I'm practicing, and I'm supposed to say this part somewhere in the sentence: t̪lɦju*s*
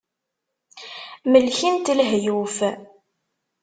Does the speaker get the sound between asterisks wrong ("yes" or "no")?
yes